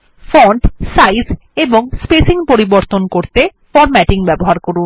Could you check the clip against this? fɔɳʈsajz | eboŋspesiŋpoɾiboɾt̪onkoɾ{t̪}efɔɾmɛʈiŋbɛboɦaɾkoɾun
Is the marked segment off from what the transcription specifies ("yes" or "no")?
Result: no